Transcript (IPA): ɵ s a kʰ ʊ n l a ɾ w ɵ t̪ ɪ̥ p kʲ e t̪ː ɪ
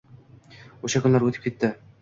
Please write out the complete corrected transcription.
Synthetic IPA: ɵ ʃ a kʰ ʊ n l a ɾ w ɵ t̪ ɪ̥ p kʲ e t̪ː ɪ